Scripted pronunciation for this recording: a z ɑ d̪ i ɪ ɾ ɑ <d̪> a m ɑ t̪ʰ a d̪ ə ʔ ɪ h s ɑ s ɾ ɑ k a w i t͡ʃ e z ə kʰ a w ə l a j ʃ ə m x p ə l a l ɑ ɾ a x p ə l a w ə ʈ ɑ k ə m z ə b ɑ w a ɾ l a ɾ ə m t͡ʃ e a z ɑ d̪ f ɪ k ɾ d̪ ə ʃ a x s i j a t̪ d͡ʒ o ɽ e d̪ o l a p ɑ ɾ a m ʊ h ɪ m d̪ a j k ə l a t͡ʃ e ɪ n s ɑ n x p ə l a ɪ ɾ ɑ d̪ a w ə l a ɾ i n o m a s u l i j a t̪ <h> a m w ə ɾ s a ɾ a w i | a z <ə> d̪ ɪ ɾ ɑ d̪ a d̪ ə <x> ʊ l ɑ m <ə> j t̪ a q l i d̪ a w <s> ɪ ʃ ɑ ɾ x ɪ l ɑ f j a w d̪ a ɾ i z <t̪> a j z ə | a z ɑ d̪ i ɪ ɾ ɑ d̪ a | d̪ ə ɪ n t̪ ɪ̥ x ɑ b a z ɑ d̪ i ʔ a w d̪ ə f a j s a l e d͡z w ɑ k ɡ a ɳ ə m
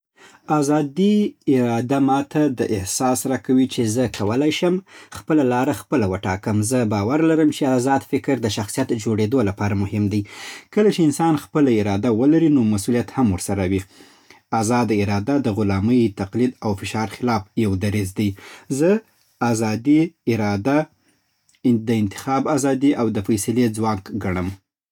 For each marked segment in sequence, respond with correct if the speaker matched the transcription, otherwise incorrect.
correct, correct, incorrect: ɑ, incorrect: ɣ, correct, incorrect: f, incorrect: d̪

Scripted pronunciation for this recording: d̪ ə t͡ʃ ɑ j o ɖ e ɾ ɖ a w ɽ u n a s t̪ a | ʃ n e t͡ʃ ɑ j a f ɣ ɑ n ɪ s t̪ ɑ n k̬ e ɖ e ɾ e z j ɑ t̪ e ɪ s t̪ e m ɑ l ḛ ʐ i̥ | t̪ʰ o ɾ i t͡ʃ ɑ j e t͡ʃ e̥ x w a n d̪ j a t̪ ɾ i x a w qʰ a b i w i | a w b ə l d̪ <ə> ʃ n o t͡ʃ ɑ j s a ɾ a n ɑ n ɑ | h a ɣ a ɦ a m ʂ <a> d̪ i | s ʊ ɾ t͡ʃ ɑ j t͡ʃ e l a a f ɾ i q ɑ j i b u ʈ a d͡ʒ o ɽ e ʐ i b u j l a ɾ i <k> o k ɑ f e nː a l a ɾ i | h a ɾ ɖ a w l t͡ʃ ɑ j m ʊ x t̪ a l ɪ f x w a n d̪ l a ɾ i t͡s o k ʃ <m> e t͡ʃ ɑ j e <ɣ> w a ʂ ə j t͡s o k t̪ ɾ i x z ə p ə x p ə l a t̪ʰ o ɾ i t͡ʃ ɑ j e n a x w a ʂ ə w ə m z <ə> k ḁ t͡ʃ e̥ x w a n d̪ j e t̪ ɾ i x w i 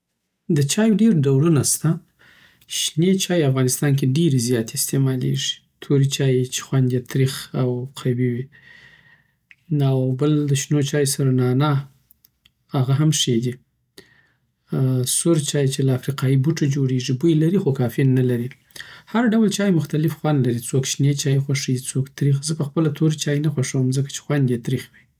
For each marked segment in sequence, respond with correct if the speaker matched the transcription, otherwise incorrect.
correct, incorrect: e, incorrect: x, incorrect: n, incorrect: x, correct

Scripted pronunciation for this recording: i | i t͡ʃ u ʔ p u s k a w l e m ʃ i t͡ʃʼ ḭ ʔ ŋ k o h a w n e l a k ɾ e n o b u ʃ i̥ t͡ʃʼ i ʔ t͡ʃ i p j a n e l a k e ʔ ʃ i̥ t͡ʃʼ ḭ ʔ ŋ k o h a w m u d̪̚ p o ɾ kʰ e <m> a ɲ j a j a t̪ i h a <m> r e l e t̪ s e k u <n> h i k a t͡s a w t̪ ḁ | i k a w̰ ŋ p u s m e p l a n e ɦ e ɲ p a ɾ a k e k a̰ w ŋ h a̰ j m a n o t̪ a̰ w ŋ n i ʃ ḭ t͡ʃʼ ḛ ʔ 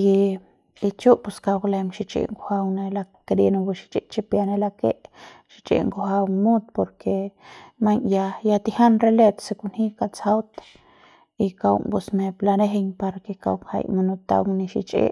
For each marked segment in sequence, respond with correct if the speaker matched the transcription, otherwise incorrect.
correct, incorrect: n, correct

